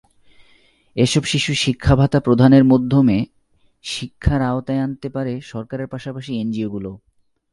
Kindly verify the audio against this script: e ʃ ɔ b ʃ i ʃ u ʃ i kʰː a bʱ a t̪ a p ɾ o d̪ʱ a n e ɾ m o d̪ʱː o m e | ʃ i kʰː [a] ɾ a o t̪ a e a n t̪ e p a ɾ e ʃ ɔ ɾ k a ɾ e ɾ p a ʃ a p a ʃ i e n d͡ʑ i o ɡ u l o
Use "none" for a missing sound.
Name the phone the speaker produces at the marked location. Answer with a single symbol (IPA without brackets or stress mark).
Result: a